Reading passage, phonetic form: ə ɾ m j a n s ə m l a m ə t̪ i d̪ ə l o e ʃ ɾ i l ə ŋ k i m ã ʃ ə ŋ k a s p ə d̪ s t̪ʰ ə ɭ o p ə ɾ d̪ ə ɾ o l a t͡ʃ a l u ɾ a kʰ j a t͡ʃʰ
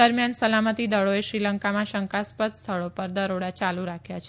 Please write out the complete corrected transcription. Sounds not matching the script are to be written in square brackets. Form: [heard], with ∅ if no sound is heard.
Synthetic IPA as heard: ə ɾ m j a n s ə [∅] l a m ə t̪ i d̪ ə [ɭ] o e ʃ ɾ i l ə ŋ k [a] m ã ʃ ə ŋ k a s p ə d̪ s t̪ʰ ə ɭ o p ə ɾ d̪ ə ɾ o [ɽ] a t͡ʃ a l u ɾ a kʰ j a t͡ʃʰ